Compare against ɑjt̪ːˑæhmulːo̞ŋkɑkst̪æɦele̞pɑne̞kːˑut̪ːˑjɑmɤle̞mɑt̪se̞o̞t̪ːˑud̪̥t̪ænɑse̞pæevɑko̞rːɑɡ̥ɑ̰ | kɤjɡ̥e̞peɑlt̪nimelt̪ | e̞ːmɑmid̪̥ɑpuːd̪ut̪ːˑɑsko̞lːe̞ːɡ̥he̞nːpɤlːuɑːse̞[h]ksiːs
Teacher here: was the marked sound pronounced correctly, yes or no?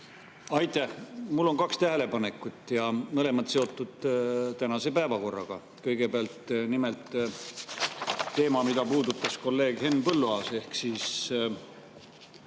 yes